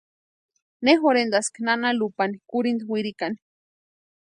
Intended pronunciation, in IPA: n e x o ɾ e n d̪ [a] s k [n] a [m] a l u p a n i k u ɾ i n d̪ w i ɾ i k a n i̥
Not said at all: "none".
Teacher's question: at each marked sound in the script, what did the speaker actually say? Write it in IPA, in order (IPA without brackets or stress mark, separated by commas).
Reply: a, n, n